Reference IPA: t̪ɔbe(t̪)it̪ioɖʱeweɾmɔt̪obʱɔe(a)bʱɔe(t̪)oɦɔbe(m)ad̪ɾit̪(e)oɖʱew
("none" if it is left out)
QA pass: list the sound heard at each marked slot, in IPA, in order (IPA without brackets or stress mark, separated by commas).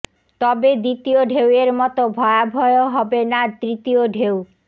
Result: d̪, a, none, n, i